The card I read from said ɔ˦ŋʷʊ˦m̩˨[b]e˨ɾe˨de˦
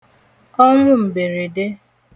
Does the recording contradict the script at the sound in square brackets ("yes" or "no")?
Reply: no